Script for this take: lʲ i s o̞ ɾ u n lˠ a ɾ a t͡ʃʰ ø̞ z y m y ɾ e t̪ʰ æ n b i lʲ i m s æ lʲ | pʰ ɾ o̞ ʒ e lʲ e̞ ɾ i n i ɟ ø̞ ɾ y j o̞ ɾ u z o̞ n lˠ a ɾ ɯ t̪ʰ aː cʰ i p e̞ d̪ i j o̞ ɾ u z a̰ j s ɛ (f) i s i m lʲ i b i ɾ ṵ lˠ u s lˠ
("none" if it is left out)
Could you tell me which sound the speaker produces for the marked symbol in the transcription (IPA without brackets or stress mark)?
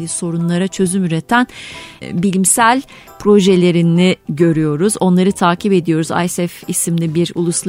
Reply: f